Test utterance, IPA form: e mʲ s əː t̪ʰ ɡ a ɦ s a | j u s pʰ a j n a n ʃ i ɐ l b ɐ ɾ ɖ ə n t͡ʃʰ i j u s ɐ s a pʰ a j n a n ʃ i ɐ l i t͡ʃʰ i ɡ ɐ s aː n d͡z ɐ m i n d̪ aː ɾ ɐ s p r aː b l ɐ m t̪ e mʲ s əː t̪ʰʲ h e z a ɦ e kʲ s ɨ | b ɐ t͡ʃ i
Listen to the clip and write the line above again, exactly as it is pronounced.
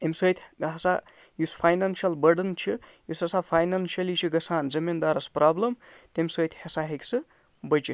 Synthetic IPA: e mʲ s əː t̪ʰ ɡ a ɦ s a | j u s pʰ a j n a n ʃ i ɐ l b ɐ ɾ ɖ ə n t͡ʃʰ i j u s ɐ s a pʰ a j n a n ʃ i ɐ l i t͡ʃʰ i ɡ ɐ s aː n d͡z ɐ m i n d̪ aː ɾ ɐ s p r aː b l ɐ m t̪ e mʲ s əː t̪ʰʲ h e s a ɦ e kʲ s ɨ | b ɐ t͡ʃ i